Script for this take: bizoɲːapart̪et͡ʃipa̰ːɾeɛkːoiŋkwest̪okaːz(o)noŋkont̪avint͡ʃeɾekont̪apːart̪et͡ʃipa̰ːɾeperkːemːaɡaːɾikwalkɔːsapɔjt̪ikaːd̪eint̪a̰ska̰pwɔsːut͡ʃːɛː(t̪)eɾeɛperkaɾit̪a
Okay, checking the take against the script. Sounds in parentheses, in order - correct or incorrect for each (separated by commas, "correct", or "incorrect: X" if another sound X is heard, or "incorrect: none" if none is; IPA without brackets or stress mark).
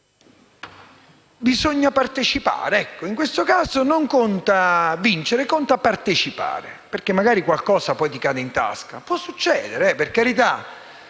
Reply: correct, incorrect: d̪